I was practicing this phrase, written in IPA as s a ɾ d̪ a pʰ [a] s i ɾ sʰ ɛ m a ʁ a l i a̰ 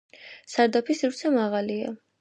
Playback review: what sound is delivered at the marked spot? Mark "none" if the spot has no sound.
i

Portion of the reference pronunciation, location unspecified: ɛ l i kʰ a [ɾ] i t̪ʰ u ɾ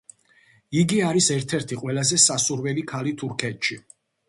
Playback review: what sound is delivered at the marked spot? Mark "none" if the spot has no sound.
l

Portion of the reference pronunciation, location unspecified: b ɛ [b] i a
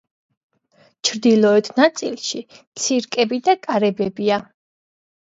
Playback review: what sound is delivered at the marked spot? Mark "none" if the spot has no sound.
b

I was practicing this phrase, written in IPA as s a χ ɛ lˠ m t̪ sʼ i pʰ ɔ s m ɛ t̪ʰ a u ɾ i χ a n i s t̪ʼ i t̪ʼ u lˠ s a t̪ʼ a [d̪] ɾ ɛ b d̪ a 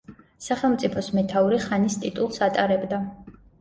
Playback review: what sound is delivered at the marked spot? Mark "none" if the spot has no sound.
none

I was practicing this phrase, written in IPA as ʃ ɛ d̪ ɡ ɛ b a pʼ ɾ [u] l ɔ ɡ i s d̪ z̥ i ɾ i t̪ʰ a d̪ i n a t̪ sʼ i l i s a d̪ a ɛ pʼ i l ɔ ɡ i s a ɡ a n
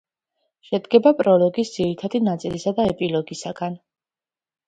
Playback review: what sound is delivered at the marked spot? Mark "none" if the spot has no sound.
ɔ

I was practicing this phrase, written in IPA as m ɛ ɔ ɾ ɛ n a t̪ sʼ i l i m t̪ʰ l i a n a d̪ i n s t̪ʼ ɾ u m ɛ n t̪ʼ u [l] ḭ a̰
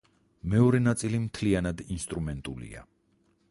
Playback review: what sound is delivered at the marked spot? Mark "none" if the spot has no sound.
l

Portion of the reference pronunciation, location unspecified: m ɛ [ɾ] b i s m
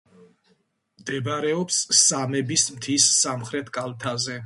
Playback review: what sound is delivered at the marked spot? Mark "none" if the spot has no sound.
none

